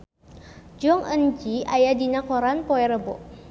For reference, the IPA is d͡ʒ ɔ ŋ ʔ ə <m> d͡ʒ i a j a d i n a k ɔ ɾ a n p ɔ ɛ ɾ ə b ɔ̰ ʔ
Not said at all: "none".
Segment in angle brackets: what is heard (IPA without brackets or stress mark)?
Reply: n